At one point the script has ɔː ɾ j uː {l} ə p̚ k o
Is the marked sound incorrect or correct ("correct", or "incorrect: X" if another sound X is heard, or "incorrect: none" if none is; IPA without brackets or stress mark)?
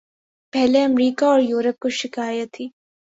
incorrect: ɾ